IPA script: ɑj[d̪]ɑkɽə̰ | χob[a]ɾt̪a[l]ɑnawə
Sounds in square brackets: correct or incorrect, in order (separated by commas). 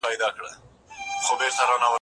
correct, incorrect, incorrect